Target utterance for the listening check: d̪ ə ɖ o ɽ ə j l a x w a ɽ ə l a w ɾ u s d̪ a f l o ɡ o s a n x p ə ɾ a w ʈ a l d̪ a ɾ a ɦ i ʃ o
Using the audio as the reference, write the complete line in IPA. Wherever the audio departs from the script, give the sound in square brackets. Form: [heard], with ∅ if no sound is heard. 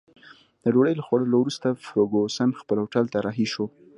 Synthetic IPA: d̪ ə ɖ o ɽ ə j l a x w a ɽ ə l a w ɾ u s [t̪] a f [ɾ] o ɡ o s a n x p ə [l] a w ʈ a l [t̪] a ɾ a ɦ i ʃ o